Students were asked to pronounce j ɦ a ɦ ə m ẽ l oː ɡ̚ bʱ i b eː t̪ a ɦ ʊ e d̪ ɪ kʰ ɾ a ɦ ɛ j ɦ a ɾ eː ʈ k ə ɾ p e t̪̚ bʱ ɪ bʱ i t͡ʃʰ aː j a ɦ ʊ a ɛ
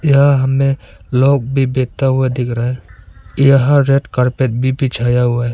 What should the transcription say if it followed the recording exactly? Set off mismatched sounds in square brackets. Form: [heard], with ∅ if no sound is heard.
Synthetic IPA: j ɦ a ɦ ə m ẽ l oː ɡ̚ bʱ i b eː t̪ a ɦ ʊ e d̪ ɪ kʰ ɾ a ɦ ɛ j ɦ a ɾ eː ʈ k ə ɾ p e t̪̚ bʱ [i] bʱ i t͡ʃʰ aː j a ɦ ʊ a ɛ

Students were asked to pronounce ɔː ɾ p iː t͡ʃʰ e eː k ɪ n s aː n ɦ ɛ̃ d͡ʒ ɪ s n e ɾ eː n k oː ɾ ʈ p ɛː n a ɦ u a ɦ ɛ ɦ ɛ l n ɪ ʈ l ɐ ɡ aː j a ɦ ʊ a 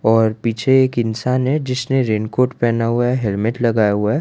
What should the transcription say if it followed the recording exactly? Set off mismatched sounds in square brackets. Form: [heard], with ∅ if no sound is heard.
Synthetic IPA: ɔː ɾ p iː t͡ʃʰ e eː k ɪ n s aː n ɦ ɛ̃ d͡ʒ ɪ s n e ɾ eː n k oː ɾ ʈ p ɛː n a ɦ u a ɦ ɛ ɦ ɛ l [m] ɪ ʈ l ɐ ɡ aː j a ɦ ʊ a

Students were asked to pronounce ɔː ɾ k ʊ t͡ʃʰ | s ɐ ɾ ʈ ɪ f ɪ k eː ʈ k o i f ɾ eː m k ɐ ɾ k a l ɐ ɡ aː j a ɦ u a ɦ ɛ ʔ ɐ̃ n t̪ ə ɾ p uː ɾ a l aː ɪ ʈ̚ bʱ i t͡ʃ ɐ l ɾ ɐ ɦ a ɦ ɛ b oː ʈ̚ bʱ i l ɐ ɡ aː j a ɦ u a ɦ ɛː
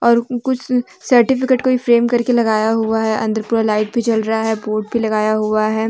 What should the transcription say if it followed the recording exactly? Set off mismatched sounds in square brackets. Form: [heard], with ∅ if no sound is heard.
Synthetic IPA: ɔː ɾ k ʊ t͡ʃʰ | s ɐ ɾ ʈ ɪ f ɪ k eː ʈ k o i f ɾ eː m k ɐ ɾ k [e] l ɐ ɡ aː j a ɦ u a ɦ ɛ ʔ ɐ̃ n [d̪] ə ɾ p uː ɾ a l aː ɪ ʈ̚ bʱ i t͡ʃ ɐ l ɾ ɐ ɦ a ɦ ɛ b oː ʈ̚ bʱ i l ɐ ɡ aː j a ɦ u a ɦ ɛː

